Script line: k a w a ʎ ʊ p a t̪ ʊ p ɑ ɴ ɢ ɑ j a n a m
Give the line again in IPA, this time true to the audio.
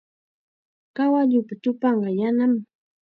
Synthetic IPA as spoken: k a w a ʎ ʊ p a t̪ ʊ p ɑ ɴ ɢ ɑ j a n a m